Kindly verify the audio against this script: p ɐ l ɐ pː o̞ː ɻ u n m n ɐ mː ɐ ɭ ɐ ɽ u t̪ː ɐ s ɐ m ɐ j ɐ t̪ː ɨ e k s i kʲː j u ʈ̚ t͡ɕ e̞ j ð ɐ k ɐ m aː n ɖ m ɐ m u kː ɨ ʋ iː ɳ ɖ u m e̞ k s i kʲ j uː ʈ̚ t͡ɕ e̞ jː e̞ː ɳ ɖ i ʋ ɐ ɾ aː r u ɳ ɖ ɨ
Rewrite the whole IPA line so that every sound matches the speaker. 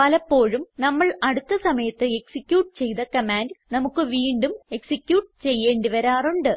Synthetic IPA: p ɐ l ɐ pː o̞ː ɻ u m n ɐ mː ɐ ɭ ɐ ɽ u t̪ː ɐ s ɐ m ɐ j ɐ t̪ː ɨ e k s i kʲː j uː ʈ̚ t͡ɕ e̞ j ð ɐ k ɐ m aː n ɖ n ɐ m u kː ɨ ʋ iː ɳ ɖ u m e̞ k s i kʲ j uː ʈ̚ t͡ɕ e̞ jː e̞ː ɳ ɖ i ʋ ɐ ɾ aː r u ɳ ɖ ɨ